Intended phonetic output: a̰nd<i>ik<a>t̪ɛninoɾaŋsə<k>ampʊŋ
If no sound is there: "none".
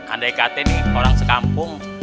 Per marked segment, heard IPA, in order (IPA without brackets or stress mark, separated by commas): a, a, k